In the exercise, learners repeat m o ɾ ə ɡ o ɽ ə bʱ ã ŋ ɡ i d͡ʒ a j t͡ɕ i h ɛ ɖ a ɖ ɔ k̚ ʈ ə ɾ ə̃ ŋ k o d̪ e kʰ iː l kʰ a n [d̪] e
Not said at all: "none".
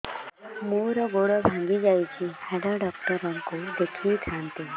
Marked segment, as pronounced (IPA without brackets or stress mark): t̪